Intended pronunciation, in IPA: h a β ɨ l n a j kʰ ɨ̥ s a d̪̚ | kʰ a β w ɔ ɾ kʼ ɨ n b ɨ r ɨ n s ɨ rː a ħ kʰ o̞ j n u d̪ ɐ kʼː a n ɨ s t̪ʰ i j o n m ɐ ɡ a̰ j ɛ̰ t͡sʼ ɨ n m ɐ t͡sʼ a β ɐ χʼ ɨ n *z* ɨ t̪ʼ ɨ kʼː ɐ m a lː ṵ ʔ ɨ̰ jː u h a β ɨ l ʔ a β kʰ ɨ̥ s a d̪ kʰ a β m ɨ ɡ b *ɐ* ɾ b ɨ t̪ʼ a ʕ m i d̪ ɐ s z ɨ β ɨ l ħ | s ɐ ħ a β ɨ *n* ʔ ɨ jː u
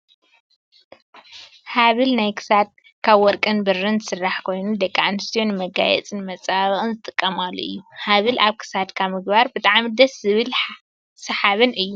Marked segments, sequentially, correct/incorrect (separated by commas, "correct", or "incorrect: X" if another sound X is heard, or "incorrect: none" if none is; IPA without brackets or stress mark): correct, incorrect: a, correct